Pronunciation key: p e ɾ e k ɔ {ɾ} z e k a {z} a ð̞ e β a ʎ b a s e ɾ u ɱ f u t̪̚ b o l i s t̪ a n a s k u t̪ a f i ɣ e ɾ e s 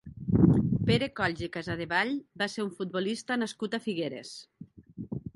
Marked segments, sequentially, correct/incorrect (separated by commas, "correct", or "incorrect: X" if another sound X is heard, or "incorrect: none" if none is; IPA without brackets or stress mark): incorrect: ʎ, correct